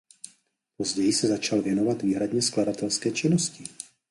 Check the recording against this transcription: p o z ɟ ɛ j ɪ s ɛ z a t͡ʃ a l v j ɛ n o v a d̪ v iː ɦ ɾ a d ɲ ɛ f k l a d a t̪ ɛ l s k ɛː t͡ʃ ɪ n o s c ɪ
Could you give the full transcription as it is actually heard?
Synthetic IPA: p o z ɟ ɛ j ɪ s ɛ z a t͡ʃ a l v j ɛ n o v a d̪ v iː ɦ ɾ a d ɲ ɛ s k l a d a t̪ ɛ l s k ɛː t͡ʃ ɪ n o s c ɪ